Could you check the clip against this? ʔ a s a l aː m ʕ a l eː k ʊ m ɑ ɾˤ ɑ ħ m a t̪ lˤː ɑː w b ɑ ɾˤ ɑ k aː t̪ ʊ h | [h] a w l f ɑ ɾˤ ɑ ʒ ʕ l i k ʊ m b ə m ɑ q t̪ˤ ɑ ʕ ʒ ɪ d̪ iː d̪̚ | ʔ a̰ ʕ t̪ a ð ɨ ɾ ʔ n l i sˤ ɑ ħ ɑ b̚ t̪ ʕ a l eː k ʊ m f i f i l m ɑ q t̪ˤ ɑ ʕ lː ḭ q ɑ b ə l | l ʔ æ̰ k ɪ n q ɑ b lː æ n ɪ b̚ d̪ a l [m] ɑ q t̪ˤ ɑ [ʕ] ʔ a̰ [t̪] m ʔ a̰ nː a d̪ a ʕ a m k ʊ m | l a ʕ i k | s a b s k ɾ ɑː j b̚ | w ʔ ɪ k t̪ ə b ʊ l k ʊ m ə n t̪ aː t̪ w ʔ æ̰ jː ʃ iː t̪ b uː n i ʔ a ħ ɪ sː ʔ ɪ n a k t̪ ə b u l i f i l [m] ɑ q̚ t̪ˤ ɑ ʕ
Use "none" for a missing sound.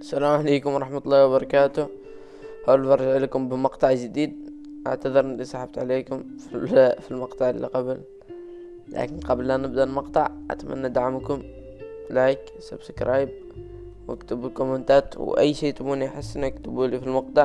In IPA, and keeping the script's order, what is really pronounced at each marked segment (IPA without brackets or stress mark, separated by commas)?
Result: h, m, ʕ, t̪, m